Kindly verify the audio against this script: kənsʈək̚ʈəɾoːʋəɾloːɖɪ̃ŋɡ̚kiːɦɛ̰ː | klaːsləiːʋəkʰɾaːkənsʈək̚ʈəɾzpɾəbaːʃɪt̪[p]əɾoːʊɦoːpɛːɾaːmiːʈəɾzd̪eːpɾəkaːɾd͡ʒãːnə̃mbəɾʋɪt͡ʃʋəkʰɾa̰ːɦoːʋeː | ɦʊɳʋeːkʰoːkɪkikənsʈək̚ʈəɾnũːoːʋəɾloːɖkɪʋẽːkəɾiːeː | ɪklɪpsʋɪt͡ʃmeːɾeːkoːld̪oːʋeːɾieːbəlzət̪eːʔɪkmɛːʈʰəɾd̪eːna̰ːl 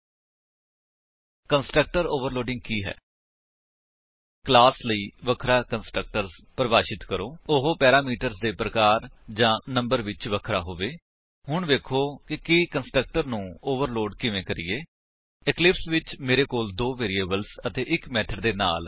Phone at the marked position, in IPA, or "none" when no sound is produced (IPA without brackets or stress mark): k